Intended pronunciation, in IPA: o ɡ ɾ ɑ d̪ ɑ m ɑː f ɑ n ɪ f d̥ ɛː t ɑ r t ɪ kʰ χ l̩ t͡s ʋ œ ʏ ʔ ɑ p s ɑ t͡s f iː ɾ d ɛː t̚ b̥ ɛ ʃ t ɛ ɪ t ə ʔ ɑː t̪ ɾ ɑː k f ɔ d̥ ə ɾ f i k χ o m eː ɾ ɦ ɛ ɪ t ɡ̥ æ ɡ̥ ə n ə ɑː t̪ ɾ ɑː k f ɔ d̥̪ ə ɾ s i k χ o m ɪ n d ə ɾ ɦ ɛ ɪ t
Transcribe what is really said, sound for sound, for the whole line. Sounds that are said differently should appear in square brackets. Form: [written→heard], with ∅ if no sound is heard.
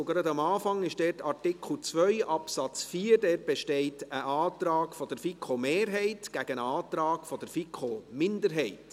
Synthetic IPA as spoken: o ɡ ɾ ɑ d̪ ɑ m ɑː f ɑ [n→ŋ] ɪ [f→ʃ] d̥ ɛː t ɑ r t ɪ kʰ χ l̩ t͡s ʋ œ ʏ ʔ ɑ p s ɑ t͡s f iː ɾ d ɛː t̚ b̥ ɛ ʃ t ɛ ɪ t ə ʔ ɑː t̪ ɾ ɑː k f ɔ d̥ ə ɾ f i k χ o m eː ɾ ɦ ɛ ɪ t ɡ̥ æ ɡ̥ ə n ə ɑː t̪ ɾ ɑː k f ɔ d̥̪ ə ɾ [s→f] i k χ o m ɪ n d ə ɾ ɦ ɛ ɪ t

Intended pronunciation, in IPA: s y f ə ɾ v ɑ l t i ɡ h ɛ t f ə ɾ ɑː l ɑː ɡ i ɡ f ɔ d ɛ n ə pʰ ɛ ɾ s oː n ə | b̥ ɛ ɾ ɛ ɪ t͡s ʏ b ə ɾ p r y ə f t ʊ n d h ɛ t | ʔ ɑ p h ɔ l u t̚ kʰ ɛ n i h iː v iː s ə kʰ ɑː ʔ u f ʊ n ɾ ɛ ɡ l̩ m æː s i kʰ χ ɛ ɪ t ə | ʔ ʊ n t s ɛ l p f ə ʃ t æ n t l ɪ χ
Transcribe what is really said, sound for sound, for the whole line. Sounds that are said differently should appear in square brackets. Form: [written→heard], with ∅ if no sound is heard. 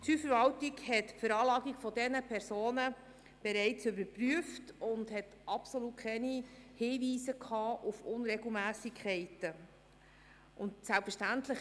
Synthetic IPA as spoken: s y f ə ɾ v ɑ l t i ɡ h ɛ t f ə ɾ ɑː l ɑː ɡ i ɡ f ɔ d ɛ n ə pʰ ɛ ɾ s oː n ə | b̥ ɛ ɾ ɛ ɪ t͡s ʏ b ə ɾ p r y ə f t ʊ n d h ɛ t | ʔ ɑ p [h→s] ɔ l u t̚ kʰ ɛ n i h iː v iː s ə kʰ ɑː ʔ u f ʊ n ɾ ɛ ɡ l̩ m æː s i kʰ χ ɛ ɪ t ə | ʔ ʊ n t s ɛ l p f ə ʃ t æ n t l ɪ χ

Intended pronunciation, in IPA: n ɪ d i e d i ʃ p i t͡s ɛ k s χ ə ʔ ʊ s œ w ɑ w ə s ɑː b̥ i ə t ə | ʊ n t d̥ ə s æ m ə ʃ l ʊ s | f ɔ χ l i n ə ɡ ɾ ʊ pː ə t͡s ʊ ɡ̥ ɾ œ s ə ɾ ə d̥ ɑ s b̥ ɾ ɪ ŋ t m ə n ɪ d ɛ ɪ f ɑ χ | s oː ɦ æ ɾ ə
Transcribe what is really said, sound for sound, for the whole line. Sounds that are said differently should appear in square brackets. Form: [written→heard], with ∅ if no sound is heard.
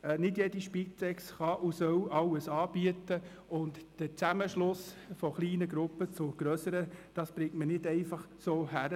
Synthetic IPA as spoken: n ɪ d [i→j] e d i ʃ p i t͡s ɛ k s χ [ə→ɑ] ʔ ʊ s œ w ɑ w ə s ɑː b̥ i ə t ə | ʊ n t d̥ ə [s→t͡s] æ m ə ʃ l ʊ s | f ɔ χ l [i→iː] n ə ɡ ɾ ʊ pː ə t͡s ʊ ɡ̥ ɾ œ s ə ɾ ə d̥ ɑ s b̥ ɾ ɪ ŋ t m ə n ɪ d ɛ ɪ f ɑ χ | s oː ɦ æ ɾ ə

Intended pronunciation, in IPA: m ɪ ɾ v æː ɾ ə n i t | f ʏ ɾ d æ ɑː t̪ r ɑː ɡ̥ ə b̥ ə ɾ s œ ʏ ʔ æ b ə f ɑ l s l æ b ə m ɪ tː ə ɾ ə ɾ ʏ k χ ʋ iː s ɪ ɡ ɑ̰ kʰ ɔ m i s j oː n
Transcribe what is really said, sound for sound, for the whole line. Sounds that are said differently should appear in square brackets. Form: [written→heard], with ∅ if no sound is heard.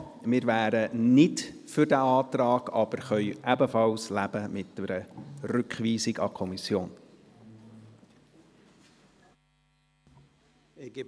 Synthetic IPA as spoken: m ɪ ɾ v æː ɾ ə n [i→ɪ] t | f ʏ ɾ d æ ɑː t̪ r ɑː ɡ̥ [ə→ɑ] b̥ ə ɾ [s→χ] œ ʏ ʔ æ b ə f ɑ l s l æ b ə m ɪ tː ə ɾ ə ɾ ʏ k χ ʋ iː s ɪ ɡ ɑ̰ kʰ ɔ m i s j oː n

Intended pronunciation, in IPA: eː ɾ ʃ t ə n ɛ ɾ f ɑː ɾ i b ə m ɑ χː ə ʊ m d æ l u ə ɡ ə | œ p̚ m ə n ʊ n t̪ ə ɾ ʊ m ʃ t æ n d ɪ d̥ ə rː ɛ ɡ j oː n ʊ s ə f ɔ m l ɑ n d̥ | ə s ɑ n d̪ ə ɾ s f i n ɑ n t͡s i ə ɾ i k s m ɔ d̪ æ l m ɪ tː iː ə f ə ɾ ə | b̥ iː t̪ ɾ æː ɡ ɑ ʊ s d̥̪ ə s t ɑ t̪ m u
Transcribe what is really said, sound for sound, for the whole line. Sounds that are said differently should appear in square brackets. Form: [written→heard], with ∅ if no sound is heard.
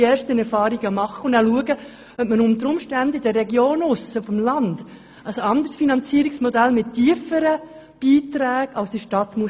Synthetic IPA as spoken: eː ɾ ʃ t ə n ɛ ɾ f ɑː ɾ i [b→ɡ] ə m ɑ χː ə ʊ [m→n] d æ l u ə ɡ ə | œ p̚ m ə n ʊ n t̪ ə ɾ ʊ m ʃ t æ n d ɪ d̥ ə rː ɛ ɡ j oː n ʊ s ə f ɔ m l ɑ n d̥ | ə s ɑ n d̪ ə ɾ s f i n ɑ n t͡s i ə ɾ i k s m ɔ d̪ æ l m ɪ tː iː ə f ə ɾ ə | b̥ iː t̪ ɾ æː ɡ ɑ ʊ s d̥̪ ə [s→ʃ] t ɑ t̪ m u

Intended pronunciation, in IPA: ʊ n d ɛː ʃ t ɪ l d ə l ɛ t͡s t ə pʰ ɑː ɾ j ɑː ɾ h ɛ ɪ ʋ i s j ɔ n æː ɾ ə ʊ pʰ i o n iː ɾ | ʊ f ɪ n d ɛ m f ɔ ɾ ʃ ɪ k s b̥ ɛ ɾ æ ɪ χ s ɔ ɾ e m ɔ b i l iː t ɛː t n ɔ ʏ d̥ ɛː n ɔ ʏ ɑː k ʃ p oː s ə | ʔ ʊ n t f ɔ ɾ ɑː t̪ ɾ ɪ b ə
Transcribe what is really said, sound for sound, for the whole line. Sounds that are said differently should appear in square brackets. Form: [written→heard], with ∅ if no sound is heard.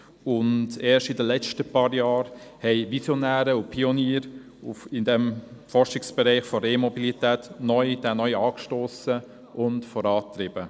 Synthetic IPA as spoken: ʊ n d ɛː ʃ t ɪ [l→∅] d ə l ɛ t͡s t ə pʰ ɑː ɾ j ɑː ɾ h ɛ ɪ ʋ i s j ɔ n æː ɾ ə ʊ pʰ i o n iː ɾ | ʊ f ɪ n d ɛ m f ɔ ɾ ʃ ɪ k s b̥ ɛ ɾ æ ɪ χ [s→f] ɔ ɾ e m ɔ b i l [iː→i] t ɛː t n ɔ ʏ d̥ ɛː n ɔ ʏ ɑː k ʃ [p→t] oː s ə | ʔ ʊ n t f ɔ ɾ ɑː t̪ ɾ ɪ b ə

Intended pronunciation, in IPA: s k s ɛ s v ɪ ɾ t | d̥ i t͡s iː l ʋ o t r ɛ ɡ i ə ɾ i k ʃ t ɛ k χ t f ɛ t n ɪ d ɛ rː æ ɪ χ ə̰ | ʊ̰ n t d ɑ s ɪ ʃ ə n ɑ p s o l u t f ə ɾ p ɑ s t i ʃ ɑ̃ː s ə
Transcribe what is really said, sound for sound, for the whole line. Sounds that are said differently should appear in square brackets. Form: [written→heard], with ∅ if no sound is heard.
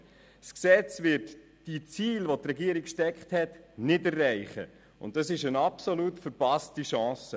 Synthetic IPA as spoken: s k s ɛ [s→t͡s] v ɪ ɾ t | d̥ i t͡s iː l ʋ o t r ɛ ɡ i ə ɾ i k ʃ t ɛ k χ t [f→h] ɛ t n ɪ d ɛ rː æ ɪ χ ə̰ | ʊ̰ n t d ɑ s ɪ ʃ ə n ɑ p s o l u t f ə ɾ p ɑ s t i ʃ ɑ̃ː s ə

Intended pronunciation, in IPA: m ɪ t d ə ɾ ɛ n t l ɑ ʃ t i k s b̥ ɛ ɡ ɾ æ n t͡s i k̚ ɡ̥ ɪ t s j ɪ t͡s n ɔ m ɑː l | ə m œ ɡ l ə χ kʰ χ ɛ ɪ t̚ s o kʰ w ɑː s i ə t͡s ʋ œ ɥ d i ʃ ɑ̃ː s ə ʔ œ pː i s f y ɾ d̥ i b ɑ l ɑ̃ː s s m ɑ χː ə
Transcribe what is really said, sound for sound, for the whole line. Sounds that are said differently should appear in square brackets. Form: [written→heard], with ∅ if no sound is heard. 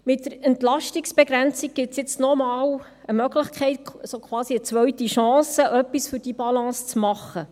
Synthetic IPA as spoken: m ɪ t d ə ɾ ɛ n t l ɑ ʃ t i k s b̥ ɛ ɡ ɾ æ n t͡s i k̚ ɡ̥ ɪ t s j ɪ t͡s n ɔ m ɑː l | ə m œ ɡ l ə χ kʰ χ ɛ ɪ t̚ s o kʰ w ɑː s i ə t͡s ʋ œ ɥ [d→t] i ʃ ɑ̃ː s ə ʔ œ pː i s f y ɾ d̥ i b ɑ l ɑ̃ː s [s→t͡s] m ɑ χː ə

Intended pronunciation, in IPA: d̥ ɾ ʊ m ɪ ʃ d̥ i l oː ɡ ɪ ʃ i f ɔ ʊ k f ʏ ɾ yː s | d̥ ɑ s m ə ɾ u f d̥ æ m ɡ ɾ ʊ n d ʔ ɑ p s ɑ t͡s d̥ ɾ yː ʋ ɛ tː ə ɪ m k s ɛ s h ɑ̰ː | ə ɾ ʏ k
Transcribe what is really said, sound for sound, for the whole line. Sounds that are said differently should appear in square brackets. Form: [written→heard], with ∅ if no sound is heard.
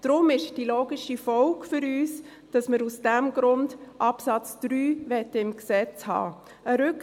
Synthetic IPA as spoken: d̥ ɾ ʊ m ɪ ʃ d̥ i l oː ɡ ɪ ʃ i f ɔ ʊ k f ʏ ɾ yː s | d̥ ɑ s m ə ɾ u [f→s] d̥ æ m ɡ ɾ ʊ n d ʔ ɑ p s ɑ t͡s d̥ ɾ yː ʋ ɛ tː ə ɪ m k s ɛ [s→t͡s] h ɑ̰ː | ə ɾ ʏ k

